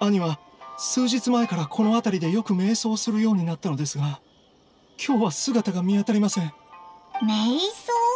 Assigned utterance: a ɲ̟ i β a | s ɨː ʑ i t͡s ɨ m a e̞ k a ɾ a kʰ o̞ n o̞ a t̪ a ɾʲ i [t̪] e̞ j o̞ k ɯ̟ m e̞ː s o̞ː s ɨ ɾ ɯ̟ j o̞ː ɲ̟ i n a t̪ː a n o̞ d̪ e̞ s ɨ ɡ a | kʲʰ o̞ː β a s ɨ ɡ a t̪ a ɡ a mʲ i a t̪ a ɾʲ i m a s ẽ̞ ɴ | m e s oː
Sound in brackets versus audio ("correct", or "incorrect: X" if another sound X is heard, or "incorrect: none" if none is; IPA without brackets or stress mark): incorrect: d̪